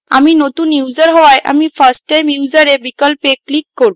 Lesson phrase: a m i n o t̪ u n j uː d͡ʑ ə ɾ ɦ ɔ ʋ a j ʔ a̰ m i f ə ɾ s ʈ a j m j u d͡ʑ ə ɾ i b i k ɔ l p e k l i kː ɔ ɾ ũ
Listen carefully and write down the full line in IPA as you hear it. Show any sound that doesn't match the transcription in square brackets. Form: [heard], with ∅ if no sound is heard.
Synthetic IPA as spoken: a m i n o t̪ u n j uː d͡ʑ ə ɾ ɦ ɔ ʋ a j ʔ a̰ m i f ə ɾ s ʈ a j m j u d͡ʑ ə ɾ [e] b i k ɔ l p e k l i kː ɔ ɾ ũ